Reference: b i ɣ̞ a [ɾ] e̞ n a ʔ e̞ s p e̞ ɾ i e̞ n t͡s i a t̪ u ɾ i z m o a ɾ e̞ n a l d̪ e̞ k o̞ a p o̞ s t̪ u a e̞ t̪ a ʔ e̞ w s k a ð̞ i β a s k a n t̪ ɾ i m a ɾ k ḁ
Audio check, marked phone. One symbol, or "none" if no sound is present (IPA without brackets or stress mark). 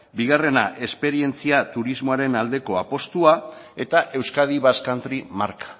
r